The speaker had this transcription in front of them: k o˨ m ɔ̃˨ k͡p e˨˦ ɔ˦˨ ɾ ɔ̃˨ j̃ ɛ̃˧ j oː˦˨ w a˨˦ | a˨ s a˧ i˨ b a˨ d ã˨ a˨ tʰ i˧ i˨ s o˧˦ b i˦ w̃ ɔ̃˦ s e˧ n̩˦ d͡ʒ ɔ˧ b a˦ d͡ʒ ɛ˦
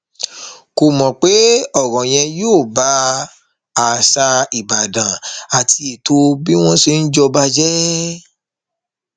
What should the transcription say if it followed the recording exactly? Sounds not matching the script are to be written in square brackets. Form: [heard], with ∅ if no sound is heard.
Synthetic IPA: k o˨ m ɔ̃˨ k͡p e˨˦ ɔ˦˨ ɾ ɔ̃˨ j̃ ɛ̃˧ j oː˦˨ [b] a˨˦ | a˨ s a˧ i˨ b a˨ d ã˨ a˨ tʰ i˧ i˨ [t] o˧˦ b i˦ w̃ ɔ̃˦ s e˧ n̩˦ d͡ʒ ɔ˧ b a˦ d͡ʒ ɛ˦

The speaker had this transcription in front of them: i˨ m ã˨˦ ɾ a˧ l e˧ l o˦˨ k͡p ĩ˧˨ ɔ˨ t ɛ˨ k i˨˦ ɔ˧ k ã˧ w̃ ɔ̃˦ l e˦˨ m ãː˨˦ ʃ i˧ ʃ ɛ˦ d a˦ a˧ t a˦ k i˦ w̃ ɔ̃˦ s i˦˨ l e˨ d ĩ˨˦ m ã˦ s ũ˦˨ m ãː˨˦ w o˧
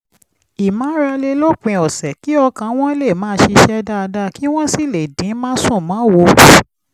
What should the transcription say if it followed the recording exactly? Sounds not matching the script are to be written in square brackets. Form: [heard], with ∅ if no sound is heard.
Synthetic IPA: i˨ m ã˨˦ ɾ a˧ l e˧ l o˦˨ k͡p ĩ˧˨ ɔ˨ [s] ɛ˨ k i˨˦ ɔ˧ k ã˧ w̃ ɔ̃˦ l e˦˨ m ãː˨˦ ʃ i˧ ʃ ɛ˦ d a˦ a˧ [d] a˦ k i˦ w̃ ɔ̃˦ s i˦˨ l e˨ d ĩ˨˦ m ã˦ s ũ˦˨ m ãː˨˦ w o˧

